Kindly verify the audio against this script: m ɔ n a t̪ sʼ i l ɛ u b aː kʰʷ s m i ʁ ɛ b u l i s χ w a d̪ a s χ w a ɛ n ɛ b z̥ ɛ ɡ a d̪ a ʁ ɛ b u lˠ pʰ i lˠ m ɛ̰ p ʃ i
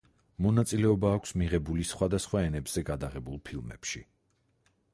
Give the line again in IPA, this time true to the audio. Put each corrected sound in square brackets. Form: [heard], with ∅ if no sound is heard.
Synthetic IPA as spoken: m ɔ n a t̪ sʼ i l ɛ [ɔ] b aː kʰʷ s m i ʁ ɛ b u l i s χ w a d̪ a s χ w a ɛ n ɛ b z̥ ɛ ɡ a d̪ a ʁ ɛ b u lˠ pʰ i lˠ m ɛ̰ p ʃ i